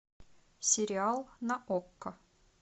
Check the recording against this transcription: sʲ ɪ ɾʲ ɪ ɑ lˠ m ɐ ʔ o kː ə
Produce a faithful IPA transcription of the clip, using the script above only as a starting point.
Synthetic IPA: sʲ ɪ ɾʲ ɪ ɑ lˠ n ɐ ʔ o kː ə